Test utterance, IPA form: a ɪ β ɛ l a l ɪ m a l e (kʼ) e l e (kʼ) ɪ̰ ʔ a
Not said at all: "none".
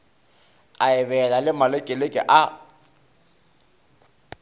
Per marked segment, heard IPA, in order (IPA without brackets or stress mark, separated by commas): kʼ, kʼ